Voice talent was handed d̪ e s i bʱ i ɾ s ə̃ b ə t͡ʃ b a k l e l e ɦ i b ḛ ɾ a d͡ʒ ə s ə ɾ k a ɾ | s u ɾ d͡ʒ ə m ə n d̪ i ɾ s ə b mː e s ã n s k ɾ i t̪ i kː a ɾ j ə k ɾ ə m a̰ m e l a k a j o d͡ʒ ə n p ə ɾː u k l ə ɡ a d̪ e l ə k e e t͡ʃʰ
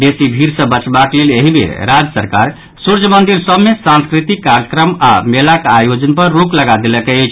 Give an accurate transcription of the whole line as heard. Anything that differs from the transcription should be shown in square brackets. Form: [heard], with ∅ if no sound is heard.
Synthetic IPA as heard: d̪ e s i bʱ i ɾ s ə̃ b ə t͡ʃ b a k l e l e ɦ i b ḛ ɾ a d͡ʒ ə s ə ɾ k a ɾ | s u ɾ d͡ʒ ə m ə n d̪ i ɾ s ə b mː e s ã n s k ɾ i t̪ i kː a ɾ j ə k ɾ ə m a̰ m e l a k a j o d͡ʒ ə n p ə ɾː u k l ə ɡ a d̪ e l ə k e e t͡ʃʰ

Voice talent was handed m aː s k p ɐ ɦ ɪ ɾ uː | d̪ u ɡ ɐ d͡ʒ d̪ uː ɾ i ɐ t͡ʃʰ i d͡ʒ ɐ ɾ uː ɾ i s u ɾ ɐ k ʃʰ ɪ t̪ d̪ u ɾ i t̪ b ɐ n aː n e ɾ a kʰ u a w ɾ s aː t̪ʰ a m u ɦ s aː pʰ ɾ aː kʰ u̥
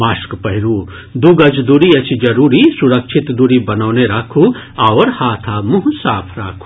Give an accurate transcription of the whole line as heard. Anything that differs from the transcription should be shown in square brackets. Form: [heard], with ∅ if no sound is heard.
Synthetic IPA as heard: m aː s k p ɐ ɦ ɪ ɾ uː | d̪ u ɡ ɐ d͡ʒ d̪ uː ɾ i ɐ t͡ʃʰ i d͡ʒ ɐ ɾ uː ɾ i s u ɾ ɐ k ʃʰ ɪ t̪ d̪ u ɾ i [∅] b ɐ n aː n e ɾ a kʰ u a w ɾ [h] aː t̪ʰ a m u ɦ s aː pʰ ɾ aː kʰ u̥

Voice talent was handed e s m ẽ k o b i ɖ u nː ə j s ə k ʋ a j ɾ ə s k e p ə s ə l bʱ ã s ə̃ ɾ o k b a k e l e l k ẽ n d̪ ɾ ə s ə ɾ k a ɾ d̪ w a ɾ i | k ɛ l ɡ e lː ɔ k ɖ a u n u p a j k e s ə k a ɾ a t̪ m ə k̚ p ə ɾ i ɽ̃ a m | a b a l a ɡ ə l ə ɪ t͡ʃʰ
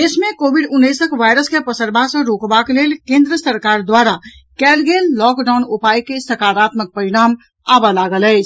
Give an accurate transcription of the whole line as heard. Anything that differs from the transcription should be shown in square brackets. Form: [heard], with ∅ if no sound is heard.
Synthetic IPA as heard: e s m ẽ k o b i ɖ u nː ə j s ə k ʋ a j ɾ ə s k e p ə s ə [ɾ] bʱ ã s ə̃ ɾ o k b a k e l e l k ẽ n d̪ ɾ ə s ə ɾ k a ɾ d̪ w a ɾ [a] | k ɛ l ɡ e lː ɔ k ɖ a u n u p a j k e s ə k a ɾ a t̪ m ə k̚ p ə ɾ i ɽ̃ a m | a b a l a ɡ ə l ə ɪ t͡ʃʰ

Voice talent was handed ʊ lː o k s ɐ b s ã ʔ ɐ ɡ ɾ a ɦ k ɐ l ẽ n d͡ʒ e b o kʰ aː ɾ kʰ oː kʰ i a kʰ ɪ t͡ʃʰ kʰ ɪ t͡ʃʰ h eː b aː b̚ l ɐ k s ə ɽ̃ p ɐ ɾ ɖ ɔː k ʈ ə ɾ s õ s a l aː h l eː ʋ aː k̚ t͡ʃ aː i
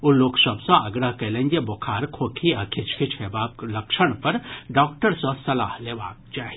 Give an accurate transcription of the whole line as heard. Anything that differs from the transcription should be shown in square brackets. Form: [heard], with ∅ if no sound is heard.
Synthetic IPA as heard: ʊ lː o k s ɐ b s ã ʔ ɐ ɡ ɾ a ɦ k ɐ l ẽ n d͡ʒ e b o kʰ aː ɾ kʰ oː kʰ i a kʰ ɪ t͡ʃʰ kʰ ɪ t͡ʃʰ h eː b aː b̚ l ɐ k [ʃ] ə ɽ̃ p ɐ ɾ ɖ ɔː k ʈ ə ɾ s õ s [ɐ] l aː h l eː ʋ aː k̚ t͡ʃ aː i

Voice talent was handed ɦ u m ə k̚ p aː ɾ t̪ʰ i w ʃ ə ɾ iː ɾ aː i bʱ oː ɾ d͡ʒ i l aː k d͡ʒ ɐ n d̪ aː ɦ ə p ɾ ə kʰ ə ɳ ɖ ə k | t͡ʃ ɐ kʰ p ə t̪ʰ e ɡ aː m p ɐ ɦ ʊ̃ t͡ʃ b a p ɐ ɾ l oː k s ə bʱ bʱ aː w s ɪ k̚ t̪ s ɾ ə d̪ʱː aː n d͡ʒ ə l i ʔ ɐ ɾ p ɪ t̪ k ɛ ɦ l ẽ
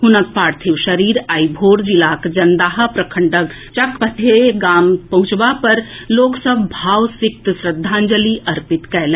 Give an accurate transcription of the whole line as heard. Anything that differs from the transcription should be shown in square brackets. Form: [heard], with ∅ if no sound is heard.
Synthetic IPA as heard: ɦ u [n] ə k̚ p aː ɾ t̪ʰ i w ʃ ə ɾ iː ɾ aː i bʱ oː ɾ d͡ʒ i l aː k d͡ʒ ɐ n d̪ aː ɦ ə p ɾ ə kʰ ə ɳ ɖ ə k | t͡ʃ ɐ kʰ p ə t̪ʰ e ɡ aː m p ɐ ɦ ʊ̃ t͡ʃ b a p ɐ ɾ l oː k s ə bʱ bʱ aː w s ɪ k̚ t̪ s ɾ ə d̪ʱː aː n d͡ʒ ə l i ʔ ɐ ɾ p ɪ t̪ k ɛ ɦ l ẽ

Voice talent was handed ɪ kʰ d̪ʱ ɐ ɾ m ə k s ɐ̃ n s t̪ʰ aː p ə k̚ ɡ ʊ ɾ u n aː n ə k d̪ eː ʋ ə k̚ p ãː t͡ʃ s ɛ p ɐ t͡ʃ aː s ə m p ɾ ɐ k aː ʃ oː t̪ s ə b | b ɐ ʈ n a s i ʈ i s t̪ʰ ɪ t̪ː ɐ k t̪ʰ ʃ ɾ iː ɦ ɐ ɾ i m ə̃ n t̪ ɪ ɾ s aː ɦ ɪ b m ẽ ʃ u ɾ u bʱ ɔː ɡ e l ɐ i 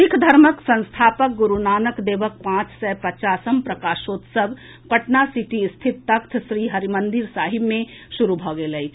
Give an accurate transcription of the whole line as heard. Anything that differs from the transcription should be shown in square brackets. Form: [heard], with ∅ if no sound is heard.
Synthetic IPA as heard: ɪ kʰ d̪ʱ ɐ ɾ m ə k s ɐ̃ n s t̪ʰ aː p ə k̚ ɡ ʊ ɾ u n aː n ə k d̪ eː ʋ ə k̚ p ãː t͡ʃ s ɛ p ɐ t͡ʃ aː s ə m p ɾ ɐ k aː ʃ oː t̪ s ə b | [p] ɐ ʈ n a s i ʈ i s t̪ʰ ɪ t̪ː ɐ k t̪ʰ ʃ ɾ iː ɦ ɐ ɾ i m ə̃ n [d̪] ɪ ɾ s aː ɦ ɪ b m ẽ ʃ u ɾ u bʱ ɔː ɡ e l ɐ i

